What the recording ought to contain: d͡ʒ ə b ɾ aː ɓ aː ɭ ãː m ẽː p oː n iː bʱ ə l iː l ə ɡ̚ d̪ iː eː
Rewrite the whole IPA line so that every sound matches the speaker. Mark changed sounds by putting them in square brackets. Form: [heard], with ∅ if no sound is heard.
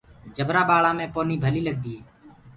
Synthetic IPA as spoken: d͡ʒ ə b ɾ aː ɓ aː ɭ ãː m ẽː p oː n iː bʱ ə l iː l ə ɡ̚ d̪ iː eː